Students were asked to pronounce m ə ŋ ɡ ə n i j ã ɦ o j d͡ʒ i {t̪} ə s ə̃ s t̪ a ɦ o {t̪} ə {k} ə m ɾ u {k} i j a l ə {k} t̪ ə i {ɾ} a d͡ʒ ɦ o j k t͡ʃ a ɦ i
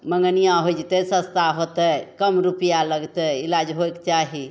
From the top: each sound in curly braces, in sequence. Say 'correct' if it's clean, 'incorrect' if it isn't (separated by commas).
correct, correct, correct, incorrect, incorrect, incorrect